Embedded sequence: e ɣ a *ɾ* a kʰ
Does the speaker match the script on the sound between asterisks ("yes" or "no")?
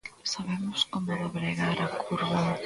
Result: yes